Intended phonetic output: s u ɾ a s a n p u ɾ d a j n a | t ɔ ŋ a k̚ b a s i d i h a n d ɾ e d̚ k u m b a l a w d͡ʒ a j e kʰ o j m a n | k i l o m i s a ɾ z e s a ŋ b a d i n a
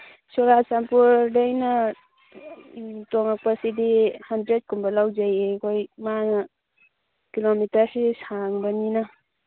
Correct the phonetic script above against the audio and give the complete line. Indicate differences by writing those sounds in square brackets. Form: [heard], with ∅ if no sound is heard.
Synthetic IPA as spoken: s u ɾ a s a [m] p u ɾ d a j n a | t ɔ ŋ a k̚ [p] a s i d i h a n d ɾ e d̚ k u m b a l a w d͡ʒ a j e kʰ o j m a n | k i l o m i [t] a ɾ [s] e s a ŋ b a [n] i n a